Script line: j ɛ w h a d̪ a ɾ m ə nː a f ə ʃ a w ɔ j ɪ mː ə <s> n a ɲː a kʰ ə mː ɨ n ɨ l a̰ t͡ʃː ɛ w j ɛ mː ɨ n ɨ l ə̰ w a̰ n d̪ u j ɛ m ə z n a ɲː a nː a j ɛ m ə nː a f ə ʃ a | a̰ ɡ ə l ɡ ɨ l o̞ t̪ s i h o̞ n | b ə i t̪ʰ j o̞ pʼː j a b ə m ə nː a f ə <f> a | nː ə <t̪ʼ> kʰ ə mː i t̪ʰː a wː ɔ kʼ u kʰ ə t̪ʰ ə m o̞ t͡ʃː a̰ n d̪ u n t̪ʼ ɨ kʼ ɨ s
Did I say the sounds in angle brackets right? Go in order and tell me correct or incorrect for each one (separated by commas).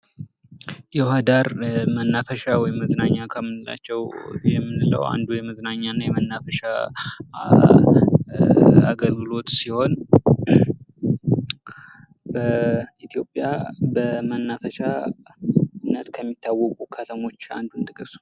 incorrect, incorrect, incorrect